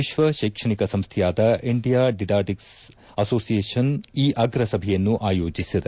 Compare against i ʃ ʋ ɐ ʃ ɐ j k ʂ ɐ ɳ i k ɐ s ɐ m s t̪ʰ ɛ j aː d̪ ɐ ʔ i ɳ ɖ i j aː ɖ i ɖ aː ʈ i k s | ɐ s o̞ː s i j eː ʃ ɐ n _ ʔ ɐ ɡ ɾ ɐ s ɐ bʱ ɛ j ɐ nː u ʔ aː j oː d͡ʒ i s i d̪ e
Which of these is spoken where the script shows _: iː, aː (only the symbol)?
iː